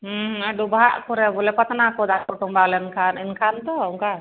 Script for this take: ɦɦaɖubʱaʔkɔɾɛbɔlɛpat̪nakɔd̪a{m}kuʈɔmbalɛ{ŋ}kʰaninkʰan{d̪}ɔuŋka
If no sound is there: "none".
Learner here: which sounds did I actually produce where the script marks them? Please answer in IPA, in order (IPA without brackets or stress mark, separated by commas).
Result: none, n, t̪